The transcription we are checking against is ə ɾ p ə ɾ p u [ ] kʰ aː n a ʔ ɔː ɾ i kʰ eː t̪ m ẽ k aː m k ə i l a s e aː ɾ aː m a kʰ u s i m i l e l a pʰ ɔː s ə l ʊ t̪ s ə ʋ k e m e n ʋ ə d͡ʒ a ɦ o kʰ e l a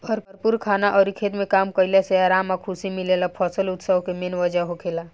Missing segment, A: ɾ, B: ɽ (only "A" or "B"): A